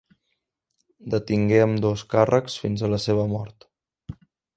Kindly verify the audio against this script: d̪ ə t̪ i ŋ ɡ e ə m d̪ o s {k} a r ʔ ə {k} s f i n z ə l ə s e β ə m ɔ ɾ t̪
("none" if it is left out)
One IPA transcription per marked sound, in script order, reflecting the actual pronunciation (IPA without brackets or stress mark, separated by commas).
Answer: k, k